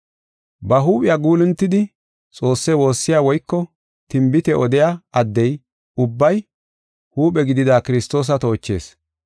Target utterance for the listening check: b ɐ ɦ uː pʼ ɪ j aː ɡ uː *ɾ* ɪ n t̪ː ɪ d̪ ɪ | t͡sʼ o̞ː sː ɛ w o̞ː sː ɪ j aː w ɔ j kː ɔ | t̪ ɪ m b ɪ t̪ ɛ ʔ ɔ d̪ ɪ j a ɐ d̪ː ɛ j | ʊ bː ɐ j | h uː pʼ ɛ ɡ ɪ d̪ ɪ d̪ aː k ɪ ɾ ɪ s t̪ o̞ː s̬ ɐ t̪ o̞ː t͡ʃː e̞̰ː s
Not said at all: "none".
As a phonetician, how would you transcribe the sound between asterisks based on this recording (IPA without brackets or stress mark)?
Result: l